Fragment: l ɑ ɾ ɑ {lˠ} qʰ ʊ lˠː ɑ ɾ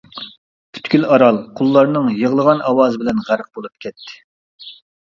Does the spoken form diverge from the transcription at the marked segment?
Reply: no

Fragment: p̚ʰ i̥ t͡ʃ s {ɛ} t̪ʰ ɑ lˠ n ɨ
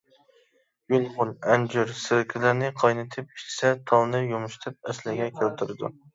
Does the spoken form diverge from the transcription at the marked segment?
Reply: no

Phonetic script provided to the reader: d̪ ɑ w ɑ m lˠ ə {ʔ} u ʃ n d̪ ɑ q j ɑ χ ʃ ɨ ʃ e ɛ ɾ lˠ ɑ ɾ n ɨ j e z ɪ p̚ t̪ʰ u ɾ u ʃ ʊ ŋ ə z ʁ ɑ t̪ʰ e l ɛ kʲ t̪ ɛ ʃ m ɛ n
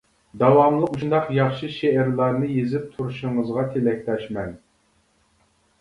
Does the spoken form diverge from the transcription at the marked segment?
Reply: yes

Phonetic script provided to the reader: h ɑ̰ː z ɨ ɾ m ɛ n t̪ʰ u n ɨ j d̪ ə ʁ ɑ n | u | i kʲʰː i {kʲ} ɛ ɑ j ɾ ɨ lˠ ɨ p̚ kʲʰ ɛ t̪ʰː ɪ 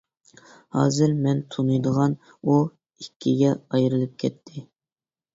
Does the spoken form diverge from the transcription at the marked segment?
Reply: yes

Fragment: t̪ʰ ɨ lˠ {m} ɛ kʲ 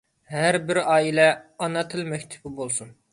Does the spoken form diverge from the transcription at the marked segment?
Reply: no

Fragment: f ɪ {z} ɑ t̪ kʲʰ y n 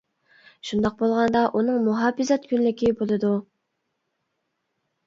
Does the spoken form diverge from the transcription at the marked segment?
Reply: no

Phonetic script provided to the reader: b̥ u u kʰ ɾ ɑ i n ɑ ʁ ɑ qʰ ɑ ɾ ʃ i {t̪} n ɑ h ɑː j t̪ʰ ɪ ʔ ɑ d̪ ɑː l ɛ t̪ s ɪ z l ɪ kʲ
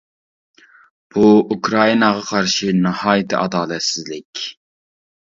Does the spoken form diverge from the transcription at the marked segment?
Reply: yes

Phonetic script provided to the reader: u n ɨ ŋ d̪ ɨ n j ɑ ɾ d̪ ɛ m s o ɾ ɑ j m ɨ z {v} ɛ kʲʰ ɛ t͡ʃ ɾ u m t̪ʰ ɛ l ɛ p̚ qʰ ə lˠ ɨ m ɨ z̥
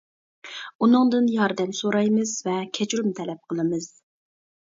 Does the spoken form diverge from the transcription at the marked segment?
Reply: no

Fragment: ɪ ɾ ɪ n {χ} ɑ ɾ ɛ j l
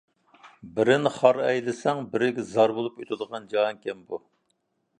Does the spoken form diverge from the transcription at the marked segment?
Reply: no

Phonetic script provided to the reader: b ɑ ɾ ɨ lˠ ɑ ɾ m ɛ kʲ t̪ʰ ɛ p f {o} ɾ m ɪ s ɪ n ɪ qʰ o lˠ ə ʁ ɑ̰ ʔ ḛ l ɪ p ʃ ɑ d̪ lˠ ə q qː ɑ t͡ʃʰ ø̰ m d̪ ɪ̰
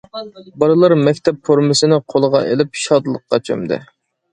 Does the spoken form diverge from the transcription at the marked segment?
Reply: no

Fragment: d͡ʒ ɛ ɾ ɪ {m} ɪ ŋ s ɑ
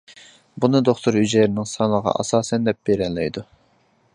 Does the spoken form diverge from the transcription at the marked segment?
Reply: yes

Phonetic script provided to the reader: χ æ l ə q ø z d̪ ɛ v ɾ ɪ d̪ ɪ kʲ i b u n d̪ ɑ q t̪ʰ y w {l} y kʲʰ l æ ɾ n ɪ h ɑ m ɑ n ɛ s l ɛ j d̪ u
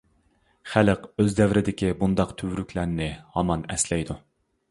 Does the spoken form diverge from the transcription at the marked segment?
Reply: yes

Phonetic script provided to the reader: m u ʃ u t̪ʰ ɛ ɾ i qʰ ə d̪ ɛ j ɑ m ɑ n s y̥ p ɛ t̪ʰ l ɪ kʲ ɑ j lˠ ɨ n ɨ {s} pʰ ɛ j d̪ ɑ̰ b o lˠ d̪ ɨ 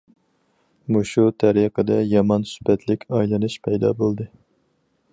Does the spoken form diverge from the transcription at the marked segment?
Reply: yes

